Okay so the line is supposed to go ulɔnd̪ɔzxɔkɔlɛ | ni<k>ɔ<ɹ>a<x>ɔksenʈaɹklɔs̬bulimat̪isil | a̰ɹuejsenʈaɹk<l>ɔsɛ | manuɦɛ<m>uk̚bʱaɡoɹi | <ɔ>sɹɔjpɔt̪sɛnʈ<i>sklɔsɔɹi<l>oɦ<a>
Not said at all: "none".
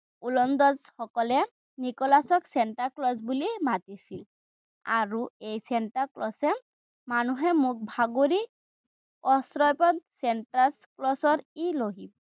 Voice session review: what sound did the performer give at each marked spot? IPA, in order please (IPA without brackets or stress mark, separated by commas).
k, l, s, l, m, ɔ, a, l, i